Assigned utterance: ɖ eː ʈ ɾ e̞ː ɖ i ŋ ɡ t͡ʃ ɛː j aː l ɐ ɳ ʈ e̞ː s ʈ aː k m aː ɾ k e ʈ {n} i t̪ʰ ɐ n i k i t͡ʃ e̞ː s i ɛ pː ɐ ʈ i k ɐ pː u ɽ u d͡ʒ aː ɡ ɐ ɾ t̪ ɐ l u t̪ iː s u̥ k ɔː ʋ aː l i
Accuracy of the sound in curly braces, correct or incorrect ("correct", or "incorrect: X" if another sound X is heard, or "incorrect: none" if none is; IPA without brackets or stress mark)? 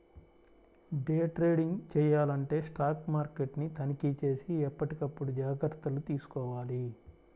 correct